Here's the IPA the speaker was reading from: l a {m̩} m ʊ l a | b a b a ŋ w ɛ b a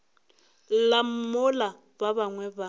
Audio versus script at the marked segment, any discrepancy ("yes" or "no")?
no